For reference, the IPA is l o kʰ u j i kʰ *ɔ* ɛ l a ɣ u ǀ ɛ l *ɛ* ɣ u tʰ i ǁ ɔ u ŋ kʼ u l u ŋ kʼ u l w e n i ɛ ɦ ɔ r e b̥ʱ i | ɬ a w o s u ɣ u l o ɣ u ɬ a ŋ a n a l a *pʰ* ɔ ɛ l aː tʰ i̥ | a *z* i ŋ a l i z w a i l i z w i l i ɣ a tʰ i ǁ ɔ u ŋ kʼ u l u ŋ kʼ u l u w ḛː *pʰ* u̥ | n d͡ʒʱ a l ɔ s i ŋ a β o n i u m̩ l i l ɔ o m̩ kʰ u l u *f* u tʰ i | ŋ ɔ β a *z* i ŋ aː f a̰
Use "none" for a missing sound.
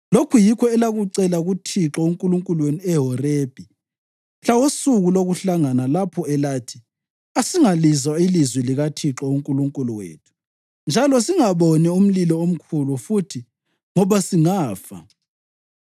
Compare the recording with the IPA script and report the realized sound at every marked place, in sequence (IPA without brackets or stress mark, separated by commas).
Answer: ɔ, a, pʰ, s, tʰ, f, s